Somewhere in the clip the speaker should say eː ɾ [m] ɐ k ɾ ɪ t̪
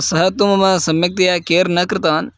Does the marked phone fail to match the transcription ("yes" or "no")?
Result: yes